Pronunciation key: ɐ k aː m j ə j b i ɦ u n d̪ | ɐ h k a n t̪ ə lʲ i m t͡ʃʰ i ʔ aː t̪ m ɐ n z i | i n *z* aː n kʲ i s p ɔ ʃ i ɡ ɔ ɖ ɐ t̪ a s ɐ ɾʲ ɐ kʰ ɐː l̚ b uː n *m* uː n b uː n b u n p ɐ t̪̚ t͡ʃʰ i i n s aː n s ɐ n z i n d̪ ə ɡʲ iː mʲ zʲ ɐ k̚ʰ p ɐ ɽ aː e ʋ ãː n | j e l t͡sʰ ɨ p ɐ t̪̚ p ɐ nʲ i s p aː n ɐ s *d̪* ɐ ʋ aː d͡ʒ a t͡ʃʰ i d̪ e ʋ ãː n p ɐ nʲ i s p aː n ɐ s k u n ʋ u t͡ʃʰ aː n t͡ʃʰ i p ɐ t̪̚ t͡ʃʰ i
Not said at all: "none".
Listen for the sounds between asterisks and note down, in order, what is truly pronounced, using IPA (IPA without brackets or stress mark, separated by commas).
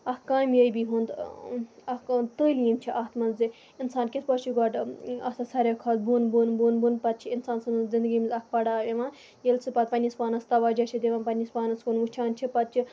s, b, t̪